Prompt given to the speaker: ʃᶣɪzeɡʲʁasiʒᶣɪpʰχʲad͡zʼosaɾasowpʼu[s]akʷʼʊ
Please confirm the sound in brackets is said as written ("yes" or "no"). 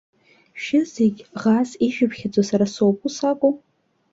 yes